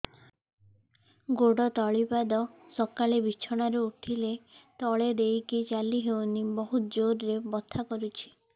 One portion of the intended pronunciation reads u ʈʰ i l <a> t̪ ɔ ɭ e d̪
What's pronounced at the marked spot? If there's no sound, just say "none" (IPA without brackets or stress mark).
e